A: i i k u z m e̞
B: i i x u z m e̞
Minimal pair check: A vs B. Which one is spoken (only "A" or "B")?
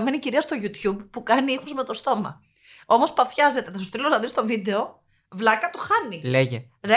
B